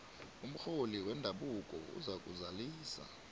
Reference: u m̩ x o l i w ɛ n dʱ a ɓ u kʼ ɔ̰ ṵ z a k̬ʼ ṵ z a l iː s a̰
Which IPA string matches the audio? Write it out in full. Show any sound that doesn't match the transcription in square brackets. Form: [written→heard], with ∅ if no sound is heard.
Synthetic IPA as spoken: u m̩ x o l i w ɛ n dʱ a ɓ u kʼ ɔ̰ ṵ z a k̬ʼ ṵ z a l iː s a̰